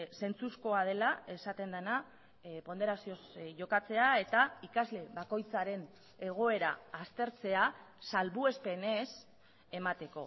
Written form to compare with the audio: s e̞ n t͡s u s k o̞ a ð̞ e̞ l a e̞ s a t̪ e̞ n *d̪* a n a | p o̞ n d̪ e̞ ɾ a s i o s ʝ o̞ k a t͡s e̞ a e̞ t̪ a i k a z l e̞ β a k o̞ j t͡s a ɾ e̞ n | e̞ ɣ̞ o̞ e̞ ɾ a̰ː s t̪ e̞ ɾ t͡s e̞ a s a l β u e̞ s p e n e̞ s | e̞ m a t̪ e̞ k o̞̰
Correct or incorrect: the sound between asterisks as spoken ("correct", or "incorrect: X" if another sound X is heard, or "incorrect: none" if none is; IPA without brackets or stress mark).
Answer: correct